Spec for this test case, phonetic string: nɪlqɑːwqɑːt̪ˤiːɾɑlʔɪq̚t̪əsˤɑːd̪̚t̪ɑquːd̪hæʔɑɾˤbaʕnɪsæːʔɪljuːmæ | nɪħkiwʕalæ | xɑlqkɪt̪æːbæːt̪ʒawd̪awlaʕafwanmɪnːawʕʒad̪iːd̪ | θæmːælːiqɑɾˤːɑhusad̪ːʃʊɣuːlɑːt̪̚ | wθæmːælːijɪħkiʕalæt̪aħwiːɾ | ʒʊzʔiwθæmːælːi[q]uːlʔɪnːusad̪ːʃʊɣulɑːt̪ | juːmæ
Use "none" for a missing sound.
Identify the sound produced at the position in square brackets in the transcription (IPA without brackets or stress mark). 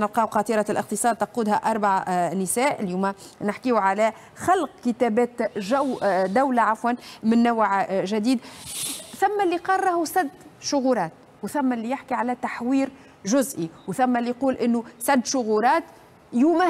q